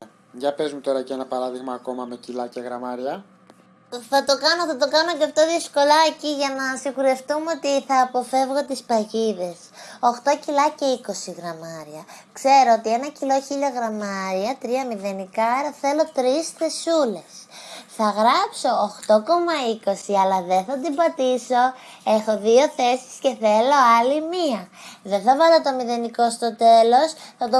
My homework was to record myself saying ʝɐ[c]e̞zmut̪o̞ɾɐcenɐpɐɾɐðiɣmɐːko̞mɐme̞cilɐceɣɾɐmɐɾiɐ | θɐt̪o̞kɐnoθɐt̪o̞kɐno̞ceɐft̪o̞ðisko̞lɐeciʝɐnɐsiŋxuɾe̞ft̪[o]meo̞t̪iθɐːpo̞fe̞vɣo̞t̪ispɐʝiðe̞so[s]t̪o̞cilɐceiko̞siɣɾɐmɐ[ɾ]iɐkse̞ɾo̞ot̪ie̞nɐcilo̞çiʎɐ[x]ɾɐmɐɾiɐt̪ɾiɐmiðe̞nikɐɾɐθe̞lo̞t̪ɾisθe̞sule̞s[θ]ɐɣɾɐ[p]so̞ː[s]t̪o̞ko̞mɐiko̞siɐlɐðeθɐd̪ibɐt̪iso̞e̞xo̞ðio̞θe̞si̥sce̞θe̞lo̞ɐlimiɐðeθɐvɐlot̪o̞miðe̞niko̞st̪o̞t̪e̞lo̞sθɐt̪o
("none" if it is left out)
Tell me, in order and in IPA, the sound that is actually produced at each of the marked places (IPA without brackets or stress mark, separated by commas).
p, u, x, ɾ, ɣ, θ, p, x